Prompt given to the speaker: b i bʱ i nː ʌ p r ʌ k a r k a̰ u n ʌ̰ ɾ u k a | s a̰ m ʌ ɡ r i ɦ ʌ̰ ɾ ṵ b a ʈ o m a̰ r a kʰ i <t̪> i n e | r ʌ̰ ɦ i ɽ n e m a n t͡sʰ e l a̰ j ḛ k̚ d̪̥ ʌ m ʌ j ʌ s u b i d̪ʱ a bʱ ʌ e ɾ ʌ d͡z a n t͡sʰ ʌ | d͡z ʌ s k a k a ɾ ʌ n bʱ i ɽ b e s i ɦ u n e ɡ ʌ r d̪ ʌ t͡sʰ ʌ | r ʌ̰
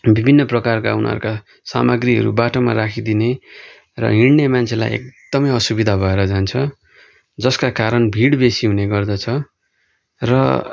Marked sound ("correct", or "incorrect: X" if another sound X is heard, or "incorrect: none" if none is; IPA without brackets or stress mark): incorrect: d̪